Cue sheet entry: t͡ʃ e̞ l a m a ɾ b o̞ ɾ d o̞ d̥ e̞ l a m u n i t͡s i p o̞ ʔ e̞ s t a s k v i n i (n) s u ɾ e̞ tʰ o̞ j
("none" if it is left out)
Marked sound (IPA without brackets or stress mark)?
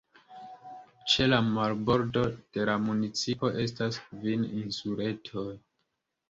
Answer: n